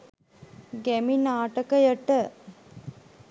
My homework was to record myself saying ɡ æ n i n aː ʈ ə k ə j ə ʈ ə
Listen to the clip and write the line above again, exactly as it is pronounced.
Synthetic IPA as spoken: ɡ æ m i n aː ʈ ə k ə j ə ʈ ə

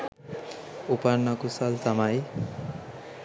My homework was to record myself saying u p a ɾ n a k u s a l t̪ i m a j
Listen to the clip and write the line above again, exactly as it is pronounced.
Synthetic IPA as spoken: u p a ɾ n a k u s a l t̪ a m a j

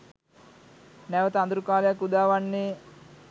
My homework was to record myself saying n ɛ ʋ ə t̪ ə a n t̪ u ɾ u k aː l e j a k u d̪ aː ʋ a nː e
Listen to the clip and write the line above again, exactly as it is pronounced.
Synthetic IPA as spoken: n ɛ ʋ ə t̪ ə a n d̪ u ɾ u k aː l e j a k u d̪ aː ʋ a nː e

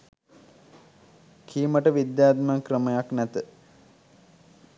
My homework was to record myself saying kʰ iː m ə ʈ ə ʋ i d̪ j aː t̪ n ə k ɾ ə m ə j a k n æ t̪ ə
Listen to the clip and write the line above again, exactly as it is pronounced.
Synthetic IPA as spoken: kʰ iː m ə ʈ ə ʋ i d̪ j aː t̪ m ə k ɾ ə m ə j a k n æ t̪ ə

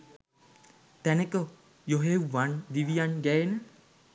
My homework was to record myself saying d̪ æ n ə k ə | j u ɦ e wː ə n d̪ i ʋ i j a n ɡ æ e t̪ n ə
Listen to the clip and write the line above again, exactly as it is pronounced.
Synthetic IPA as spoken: t̪ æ n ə k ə | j o ɦ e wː a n d̪ i ʋ i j a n ɡ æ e n ə

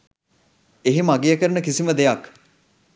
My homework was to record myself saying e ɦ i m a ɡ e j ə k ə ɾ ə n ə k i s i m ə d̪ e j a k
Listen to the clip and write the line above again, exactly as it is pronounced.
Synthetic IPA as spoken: e ɦ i m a ɡ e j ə k ə ɾ ə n ə k i s i m ə d̪ e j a k

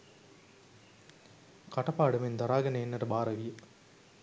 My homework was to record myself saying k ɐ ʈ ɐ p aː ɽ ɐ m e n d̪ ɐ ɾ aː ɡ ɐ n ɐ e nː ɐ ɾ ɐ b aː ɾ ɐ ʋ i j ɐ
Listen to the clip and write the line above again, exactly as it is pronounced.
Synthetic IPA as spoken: k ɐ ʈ ɐ p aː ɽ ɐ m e n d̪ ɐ ɾ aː ɡ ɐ n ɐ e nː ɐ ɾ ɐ b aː ɾ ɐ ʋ i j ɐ

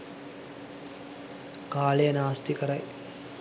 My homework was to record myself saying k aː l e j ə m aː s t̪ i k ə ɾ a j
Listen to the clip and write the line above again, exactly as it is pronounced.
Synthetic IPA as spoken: k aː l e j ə n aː s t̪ i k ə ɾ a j

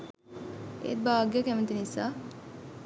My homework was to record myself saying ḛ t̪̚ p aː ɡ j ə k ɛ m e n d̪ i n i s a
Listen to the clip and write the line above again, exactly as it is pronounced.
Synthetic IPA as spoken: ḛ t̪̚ b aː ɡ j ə k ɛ m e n t̪ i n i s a

